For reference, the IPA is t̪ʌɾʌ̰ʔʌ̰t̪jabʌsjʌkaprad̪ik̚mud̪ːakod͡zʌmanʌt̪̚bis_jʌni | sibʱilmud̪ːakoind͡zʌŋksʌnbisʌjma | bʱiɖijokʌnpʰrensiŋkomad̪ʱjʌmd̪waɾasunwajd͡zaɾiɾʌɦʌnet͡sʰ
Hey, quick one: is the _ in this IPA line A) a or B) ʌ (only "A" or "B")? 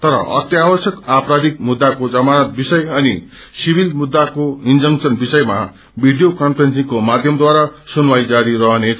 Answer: B